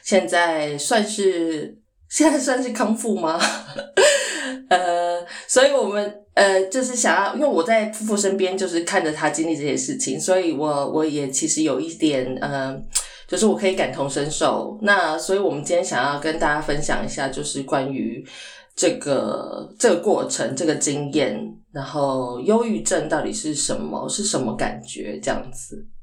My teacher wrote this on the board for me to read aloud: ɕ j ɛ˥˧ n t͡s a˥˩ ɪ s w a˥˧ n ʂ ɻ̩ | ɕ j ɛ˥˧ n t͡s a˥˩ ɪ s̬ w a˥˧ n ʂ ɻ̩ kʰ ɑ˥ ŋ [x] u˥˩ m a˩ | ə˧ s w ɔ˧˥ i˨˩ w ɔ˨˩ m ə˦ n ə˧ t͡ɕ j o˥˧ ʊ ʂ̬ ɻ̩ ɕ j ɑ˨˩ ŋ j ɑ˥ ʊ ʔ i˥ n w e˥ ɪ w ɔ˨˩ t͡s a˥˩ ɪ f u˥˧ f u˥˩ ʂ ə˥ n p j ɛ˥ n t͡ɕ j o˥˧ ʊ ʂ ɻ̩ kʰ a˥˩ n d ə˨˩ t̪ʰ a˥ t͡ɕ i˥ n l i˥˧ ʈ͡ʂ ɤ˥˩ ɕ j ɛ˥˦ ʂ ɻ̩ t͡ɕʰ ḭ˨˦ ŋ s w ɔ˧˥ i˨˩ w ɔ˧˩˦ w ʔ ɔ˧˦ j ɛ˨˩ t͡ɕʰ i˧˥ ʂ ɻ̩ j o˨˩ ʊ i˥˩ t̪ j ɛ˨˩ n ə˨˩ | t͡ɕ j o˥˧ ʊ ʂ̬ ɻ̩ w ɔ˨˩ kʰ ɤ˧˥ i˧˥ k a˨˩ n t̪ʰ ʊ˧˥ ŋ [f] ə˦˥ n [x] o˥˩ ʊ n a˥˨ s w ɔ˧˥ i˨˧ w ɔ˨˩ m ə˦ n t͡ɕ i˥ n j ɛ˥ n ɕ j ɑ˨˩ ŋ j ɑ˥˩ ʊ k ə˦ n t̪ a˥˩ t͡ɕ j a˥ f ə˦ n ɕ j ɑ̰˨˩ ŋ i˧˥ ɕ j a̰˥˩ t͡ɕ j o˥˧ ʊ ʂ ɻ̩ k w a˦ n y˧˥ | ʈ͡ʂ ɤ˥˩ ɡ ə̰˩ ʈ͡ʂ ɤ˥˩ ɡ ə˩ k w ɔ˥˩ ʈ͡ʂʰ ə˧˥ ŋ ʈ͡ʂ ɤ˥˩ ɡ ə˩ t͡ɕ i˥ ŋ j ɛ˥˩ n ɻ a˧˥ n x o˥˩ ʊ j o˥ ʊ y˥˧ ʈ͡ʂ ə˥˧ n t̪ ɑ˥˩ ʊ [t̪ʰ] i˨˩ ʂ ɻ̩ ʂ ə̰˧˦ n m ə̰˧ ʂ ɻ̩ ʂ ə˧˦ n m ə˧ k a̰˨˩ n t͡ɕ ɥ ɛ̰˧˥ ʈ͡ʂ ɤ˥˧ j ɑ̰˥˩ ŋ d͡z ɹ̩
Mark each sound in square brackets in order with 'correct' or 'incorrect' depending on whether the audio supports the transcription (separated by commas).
incorrect, incorrect, incorrect, incorrect